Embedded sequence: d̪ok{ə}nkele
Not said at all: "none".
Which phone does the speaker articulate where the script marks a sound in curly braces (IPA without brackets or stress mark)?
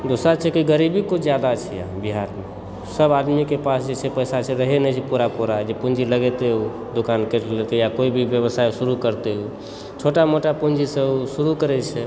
a